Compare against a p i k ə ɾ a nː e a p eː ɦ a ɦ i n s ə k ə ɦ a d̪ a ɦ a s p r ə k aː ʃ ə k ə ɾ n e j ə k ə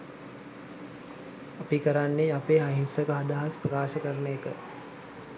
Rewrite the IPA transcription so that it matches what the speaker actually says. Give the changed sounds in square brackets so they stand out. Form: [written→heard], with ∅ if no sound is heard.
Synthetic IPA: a p i k ə ɾ a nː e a p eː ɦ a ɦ i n s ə k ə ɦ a d̪ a ɦ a s p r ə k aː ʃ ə k ə ɾ n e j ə k ə